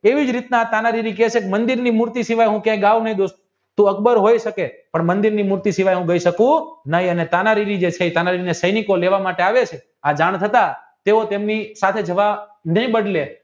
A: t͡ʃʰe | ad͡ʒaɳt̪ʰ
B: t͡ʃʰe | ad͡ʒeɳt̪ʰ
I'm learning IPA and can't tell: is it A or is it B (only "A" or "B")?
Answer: A